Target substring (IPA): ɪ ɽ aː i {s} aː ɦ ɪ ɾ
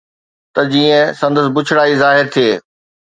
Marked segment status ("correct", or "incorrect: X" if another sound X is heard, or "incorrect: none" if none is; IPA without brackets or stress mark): incorrect: z